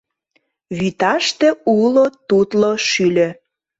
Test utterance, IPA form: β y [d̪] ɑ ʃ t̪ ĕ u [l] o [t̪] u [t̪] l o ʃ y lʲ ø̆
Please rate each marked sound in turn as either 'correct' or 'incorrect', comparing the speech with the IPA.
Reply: incorrect: t̪, correct, correct, correct

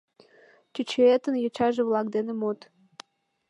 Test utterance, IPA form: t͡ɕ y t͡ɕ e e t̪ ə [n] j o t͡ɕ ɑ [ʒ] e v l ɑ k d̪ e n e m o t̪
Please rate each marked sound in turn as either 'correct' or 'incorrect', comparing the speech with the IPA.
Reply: correct, correct

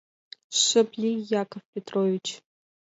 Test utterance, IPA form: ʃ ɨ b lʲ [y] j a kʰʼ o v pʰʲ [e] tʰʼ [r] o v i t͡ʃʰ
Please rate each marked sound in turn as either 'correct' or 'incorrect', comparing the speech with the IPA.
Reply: incorrect: i, correct, correct

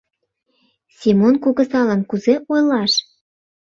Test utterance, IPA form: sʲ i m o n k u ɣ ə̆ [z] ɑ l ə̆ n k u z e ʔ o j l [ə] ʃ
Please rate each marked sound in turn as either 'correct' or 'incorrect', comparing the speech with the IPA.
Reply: incorrect: s, incorrect: ɑ

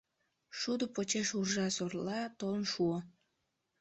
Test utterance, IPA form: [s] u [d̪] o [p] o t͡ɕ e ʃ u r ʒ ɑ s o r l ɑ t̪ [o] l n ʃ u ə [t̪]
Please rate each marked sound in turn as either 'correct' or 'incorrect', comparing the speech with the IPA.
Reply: incorrect: ʃ, correct, correct, correct, incorrect: none

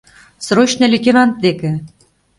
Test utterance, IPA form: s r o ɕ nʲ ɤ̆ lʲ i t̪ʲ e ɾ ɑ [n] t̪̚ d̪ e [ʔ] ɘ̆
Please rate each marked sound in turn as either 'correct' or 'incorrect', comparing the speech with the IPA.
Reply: correct, incorrect: k

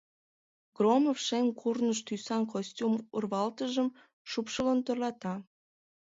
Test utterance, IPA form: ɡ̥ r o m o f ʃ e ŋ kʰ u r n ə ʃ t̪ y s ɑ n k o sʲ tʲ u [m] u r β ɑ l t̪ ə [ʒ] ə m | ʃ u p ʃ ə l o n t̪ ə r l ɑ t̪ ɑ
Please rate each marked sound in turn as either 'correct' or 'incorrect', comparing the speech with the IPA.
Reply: correct, correct

